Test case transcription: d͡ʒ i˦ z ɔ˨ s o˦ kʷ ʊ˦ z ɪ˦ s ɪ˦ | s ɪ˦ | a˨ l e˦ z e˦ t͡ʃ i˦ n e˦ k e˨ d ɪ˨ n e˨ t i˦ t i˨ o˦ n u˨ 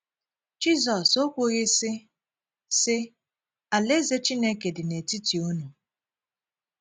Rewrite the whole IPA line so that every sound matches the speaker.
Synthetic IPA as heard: d͡ʒ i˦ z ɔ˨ s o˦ kʷ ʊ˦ ɣ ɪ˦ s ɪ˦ | s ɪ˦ | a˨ l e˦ z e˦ t͡ʃ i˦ n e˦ k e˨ d ɪ˨ n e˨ t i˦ t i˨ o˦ n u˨